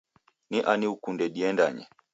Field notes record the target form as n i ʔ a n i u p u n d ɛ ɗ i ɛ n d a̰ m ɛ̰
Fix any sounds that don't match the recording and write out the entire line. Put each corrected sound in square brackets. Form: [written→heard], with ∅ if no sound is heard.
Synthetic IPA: n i ʔ a n i u [p→k] u n d ɛ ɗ i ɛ n d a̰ [m→ɲ] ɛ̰